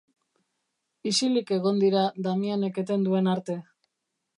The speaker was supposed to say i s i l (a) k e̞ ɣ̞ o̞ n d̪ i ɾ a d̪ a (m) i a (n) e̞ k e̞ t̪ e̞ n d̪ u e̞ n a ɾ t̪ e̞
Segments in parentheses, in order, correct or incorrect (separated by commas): incorrect, correct, correct